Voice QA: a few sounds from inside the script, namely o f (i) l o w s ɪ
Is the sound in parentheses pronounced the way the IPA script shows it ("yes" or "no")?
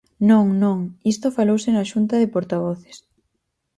no